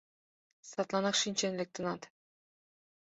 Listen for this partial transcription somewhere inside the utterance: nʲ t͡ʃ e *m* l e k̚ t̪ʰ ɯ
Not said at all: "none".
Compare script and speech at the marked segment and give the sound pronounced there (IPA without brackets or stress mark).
n